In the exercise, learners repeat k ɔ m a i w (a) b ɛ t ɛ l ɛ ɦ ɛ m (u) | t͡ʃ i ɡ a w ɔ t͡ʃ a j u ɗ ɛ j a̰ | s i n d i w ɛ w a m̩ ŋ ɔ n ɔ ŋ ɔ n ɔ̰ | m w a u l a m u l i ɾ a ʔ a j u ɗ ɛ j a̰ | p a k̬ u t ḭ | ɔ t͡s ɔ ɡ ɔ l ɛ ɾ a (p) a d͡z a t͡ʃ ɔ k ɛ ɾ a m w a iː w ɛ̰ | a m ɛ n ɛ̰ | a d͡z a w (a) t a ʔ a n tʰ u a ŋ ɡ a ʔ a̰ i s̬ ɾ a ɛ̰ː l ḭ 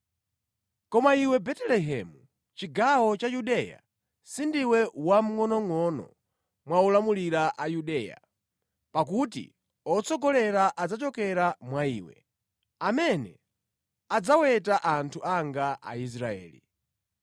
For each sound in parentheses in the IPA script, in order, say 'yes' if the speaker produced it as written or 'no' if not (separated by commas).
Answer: no, yes, no, no